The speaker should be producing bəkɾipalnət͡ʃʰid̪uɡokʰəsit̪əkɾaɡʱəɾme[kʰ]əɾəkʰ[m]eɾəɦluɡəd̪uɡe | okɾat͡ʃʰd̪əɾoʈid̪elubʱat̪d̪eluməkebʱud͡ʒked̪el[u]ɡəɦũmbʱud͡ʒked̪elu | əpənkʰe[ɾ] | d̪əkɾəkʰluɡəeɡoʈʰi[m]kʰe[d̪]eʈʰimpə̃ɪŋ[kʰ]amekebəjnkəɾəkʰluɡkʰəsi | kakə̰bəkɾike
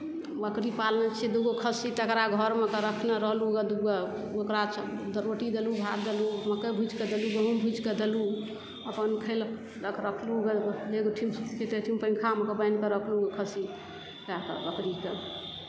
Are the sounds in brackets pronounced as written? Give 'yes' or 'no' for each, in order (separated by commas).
no, no, yes, no, yes, no, yes